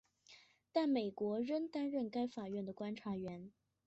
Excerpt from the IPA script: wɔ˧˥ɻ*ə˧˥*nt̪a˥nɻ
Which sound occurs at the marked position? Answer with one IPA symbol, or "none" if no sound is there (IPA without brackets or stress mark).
ə˥